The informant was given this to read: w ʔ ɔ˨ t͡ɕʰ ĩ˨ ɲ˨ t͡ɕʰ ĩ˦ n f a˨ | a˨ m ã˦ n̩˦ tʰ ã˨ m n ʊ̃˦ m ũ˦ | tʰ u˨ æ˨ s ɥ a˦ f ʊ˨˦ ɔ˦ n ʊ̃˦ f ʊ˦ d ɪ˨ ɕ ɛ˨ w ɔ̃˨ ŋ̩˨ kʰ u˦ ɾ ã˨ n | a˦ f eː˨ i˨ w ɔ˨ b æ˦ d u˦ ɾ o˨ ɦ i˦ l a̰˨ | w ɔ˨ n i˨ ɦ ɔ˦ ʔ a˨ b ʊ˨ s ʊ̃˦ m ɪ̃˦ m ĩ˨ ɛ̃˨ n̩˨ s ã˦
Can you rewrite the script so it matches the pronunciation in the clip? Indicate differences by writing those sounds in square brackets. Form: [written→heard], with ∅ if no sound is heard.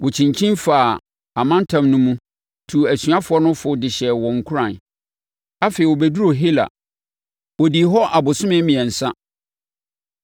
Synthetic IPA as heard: w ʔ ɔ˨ t͡ɕʰ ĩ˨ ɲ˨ t͡ɕʰ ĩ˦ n f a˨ | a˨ m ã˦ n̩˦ tʰ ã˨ m n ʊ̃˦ m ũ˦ | tʰ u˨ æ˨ s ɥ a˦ f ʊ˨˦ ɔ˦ n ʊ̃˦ f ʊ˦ d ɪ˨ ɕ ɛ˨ w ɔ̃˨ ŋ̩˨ kʰ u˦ ɾ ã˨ n | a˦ f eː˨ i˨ w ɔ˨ b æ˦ d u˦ ɾ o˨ ɦ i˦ l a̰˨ | w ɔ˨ [n→d] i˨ ɦ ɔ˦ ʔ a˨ b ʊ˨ s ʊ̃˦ m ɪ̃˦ m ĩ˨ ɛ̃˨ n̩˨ s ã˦